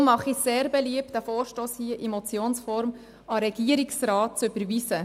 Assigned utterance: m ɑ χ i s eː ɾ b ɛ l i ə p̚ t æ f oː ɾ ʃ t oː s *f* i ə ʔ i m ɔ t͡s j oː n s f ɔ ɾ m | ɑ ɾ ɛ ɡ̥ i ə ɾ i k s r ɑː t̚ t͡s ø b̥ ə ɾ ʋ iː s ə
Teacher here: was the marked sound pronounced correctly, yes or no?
no